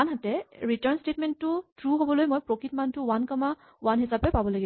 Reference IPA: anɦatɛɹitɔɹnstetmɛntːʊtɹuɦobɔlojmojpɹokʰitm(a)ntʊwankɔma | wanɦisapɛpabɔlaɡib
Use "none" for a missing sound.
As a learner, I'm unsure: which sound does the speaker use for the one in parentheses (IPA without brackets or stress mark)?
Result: a